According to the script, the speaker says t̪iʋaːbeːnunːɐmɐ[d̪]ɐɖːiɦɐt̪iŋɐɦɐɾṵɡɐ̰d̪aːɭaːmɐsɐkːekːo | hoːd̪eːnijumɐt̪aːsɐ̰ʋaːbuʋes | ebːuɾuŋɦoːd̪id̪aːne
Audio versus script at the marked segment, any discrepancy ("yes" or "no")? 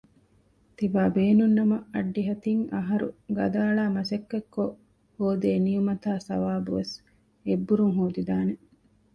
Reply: yes